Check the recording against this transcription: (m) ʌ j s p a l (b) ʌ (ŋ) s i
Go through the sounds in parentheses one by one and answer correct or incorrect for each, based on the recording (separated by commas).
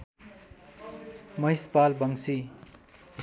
correct, correct, correct